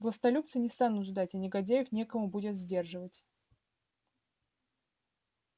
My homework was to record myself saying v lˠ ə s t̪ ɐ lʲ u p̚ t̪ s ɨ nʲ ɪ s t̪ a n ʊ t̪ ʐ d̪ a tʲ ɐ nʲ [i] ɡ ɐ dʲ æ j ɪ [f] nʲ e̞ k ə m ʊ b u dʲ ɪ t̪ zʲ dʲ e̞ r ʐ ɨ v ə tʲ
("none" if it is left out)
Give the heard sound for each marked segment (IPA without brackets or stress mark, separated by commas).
ɪ, f